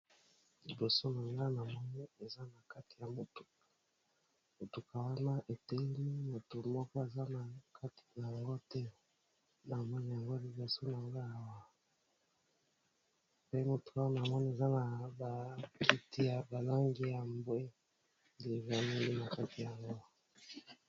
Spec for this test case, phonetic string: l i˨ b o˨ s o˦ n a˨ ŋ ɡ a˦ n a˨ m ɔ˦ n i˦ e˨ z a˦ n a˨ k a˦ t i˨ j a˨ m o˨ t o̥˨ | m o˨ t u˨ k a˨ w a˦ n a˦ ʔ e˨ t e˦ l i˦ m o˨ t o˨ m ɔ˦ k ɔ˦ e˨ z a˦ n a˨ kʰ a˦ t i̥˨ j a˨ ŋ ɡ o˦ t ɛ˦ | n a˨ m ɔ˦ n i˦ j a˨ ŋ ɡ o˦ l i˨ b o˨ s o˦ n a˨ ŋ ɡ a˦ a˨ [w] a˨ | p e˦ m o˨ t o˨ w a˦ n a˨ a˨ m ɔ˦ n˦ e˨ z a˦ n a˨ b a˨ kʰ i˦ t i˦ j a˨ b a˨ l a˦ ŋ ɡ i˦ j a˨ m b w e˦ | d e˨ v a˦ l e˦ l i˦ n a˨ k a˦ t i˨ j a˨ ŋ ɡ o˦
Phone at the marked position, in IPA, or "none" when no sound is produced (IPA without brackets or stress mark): w